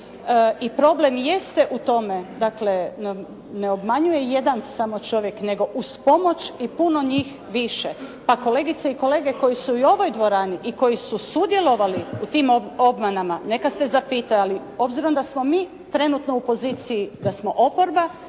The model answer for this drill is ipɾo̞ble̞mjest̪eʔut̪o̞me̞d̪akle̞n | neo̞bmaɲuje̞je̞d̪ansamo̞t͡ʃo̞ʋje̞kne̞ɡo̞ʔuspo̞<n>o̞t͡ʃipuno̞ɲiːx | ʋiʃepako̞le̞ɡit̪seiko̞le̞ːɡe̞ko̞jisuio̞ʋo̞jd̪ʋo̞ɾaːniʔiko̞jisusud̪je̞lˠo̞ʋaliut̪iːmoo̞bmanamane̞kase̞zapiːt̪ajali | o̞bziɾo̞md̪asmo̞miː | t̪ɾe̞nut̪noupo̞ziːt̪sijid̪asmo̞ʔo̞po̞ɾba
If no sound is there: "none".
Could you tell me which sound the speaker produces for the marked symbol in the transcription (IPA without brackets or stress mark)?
m